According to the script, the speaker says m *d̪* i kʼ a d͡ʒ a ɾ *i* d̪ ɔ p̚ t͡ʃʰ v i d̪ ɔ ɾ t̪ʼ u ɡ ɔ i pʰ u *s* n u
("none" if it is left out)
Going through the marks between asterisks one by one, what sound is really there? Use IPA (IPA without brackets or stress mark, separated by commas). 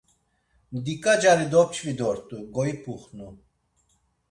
d̪, i, χ